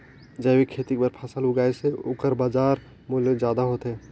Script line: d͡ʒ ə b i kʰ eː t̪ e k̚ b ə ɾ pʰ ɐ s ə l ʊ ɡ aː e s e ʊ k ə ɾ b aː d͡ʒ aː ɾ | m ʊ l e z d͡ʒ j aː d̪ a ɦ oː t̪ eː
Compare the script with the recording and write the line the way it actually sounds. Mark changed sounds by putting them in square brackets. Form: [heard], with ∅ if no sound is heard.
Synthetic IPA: d͡ʒ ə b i kʰ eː t̪ [i] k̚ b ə ɾ pʰ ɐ s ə l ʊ ɡ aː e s e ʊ k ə ɾ b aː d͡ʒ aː ɾ | m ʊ l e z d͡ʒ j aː d̪ a ɦ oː t̪ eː